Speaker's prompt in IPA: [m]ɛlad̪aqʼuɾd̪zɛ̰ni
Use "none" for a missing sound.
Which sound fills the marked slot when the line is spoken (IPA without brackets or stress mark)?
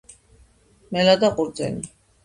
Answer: m